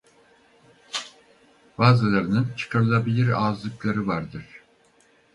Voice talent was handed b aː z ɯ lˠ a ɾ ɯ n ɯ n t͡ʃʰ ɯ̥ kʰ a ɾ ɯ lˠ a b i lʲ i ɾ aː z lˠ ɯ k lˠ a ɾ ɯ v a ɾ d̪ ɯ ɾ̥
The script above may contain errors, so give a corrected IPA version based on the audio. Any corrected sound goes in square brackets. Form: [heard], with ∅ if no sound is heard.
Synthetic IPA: b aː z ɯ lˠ a ɾ ɯ n ɯ n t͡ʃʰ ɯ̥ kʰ a ɾ ɯ lˠ a b i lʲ i ɾ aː z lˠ ɯ k lˠ a ɾ ɯ v a ɾ d̪ ɯ ɾ̥